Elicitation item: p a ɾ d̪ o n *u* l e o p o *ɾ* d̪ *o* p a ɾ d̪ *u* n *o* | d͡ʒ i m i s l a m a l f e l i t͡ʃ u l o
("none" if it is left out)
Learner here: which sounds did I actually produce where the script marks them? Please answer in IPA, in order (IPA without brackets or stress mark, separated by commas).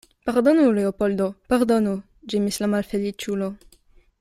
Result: u, l, o, o, u